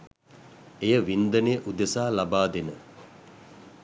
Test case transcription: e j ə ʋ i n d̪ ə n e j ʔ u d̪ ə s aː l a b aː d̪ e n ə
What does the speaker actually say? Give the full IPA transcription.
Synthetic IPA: e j ə ʋ i n d̪ ə n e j ʔ u d̪ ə s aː l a b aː d̪ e n ə